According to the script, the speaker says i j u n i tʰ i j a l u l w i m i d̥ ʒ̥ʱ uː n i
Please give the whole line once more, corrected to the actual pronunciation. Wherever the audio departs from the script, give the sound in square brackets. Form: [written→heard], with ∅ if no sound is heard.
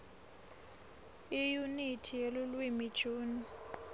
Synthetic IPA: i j u n i tʰ i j [a→e] l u l w i m i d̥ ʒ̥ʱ uː n i